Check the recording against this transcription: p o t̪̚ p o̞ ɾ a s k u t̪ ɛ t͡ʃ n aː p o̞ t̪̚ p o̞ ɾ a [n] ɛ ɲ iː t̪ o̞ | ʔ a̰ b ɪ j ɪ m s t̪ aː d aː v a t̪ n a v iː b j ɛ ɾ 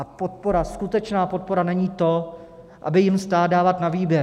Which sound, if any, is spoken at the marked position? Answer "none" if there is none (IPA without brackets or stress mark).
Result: n